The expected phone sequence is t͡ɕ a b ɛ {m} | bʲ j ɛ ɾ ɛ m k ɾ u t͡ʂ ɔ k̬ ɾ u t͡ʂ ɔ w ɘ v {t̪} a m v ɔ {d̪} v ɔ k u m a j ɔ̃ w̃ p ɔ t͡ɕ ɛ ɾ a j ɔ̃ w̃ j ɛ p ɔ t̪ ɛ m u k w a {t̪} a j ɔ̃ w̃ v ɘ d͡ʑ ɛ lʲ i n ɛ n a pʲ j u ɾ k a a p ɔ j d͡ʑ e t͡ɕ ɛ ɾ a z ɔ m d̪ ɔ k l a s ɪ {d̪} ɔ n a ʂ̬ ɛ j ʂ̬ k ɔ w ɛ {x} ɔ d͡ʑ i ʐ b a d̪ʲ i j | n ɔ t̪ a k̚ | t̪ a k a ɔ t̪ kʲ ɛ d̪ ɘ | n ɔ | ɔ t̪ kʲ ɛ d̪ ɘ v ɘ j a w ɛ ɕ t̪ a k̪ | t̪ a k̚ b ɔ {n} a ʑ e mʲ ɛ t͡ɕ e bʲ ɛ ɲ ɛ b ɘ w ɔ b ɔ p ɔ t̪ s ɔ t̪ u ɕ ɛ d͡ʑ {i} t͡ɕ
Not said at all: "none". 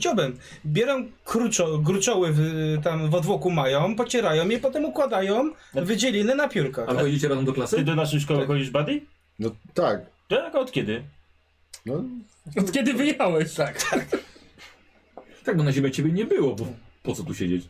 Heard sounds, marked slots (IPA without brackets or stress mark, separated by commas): m, t̪, d̪, d̪, d̪, x, n, e